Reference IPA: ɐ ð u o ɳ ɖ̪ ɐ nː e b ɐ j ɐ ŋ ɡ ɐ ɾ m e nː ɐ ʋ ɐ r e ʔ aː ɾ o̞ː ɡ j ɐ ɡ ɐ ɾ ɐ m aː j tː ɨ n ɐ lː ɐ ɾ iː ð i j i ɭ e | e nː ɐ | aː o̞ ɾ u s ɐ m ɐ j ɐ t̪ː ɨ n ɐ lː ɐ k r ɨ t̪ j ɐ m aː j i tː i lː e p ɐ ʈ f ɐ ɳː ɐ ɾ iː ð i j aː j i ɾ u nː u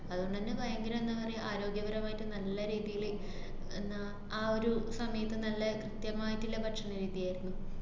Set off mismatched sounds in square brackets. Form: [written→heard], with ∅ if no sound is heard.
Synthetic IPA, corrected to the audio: ɐ ð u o ɳ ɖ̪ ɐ nː e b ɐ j ɐ ŋ ɡ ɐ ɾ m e nː ɐ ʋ ɐ r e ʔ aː ɾ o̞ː ɡ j ɐ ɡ ɐ ɾ ɐ m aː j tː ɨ n ɐ lː ɐ ɾ iː ð i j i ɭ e | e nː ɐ | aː o̞ ɾ u s ɐ m ɐ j ɐ t̪ː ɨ n ɐ lː ɐ k r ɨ t̪ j ɐ m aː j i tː i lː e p ɐ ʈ [f→ʂ] ɐ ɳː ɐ ɾ iː ð i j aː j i ɾ u nː u

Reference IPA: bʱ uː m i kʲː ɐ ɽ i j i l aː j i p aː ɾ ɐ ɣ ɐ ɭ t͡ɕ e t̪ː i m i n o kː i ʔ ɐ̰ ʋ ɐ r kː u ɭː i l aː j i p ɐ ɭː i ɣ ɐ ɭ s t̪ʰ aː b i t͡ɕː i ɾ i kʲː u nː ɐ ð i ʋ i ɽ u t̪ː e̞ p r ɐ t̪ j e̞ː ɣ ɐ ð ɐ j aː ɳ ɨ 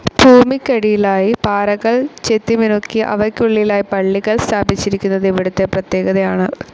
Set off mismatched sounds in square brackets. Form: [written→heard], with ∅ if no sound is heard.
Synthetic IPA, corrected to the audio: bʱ uː m i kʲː ɐ ɽ i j i l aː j i p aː ɾ ɐ ɣ ɐ ɭ t͡ɕ e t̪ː i m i n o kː i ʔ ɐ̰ ʋ ɐ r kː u ɭː i l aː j i p ɐ ɭː i ɣ ɐ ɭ s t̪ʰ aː b i t͡ɕː i ɾ i kʲː u nː ɐ ð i ʋ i ɽ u t̪ː e̞ p r ɐ t̪ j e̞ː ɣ ɐ ð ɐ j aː ɳ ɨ

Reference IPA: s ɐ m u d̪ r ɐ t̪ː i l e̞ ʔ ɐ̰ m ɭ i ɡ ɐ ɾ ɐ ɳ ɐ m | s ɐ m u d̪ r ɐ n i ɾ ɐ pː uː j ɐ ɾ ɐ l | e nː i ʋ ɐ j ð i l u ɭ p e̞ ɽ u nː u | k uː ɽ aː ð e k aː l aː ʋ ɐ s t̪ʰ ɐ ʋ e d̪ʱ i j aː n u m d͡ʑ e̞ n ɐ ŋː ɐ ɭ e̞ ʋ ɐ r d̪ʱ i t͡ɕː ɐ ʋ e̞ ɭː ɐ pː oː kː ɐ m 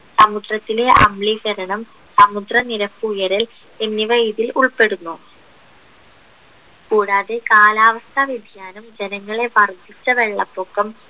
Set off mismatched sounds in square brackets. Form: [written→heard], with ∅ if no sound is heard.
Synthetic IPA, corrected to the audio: s ɐ m u d̪ r ɐ t̪ː i l e̞ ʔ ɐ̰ m ɭ i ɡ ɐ ɾ ɐ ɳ ɐ m | s ɐ m u d̪ r ɐ n i ɾ ɐ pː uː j ɐ ɾ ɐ l | e nː i ʋ ɐ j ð i l u ɭ p e̞ ɽ u nː u | k uː ɽ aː ð e k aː l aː ʋ ɐ s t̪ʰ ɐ ʋ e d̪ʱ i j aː n u m d͡ʑ e̞ n ɐ ŋː ɐ ɭ e̞ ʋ ɐ r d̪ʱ i t͡ɕː ɐ ʋ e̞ ɭː ɐ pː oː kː ɐ m

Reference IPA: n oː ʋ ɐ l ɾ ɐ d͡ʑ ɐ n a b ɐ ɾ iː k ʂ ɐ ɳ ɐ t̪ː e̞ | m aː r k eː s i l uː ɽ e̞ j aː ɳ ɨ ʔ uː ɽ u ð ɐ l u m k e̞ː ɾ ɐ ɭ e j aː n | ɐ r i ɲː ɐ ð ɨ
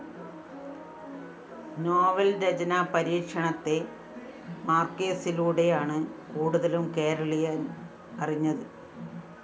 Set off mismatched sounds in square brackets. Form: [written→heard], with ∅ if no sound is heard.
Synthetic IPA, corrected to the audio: n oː ʋ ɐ l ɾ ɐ d͡ʑ ɐ n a [b→p] ɐ ɾ iː k ʂ ɐ ɳ ɐ t̪ː e̞ | m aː r k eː s i l uː ɽ e̞ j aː ɳ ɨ [ʔ→k] uː ɽ u ð ɐ l u m k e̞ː ɾ ɐ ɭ [e→i] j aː n | ɐ r i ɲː ɐ ð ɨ

